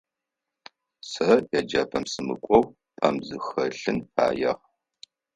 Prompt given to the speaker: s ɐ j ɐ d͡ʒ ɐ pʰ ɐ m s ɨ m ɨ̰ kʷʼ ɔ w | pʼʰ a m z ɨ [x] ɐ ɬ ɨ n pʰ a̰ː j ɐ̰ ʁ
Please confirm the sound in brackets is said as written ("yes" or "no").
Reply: yes